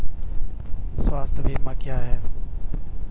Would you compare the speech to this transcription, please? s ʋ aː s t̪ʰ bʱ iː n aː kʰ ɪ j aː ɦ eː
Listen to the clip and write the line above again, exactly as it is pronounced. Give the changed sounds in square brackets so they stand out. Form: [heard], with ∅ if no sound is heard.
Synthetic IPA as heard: s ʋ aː s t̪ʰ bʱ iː [m] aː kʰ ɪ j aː ɦ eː